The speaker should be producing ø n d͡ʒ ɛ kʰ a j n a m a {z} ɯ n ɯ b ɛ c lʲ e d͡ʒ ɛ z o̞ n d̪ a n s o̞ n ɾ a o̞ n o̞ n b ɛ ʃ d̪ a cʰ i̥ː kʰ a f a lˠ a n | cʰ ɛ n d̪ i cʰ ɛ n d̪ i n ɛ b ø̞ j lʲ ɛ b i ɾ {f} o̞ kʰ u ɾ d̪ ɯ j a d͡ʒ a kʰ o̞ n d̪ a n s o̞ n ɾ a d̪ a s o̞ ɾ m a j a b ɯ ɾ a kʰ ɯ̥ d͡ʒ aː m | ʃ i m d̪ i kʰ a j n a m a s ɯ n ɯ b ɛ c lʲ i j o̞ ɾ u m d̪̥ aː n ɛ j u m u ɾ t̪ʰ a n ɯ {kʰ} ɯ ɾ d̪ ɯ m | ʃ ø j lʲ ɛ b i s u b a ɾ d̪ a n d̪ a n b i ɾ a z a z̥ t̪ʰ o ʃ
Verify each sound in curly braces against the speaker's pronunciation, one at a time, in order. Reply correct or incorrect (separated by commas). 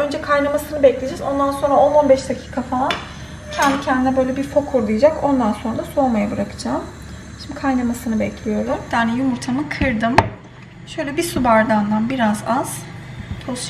incorrect, correct, correct